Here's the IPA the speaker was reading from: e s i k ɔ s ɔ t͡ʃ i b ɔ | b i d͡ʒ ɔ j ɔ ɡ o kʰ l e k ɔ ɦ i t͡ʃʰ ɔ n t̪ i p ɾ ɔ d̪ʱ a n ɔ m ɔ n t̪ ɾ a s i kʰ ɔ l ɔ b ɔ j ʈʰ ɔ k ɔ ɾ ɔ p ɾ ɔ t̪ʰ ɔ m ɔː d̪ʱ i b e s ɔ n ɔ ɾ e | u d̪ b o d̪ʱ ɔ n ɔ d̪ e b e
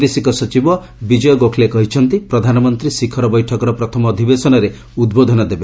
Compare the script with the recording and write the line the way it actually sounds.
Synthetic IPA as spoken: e s i k ɔ s ɔ t͡ʃ i b ɔ | b i d͡ʒ ɔ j ɔ ɡ o kʰ l e k ɔ ɦ i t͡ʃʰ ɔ n t̪ i p ɾ ɔ d̪ʱ a n ɔ m ɔ n t̪ ɾ i s i kʰ ɔ ɾ ɔ b ɔ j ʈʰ ɔ k ɔ ɾ ɔ p ɾ ɔ t̪ʰ ɔ m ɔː d̪ʱ i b e s ɔ n ɔ ɾ e | u d̪ b o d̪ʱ ɔ n ɔ d̪ e b e